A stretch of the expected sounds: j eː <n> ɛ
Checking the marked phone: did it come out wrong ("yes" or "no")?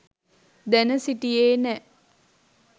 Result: no